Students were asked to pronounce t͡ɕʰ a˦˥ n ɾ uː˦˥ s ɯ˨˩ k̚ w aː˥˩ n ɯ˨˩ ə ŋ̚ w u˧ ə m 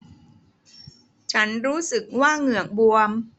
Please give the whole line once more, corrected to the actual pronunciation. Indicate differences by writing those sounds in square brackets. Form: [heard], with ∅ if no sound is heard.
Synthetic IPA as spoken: t͡ɕʰ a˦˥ n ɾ uː˦˥ s ɯ˨˩ k̚ w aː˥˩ [ŋ] ɯ˨˩ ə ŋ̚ [b] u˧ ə m